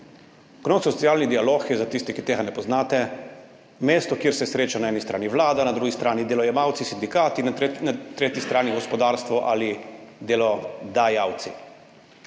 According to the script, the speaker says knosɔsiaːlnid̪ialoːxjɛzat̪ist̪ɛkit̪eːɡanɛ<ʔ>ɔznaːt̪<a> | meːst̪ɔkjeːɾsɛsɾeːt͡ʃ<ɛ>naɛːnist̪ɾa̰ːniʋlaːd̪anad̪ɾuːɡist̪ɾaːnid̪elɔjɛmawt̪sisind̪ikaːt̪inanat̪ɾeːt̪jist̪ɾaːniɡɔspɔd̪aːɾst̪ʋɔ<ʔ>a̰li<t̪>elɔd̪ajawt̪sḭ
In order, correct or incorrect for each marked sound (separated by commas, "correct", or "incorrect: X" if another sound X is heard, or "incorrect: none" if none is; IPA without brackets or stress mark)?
incorrect: p, incorrect: ɛ, incorrect: a, correct, incorrect: d̪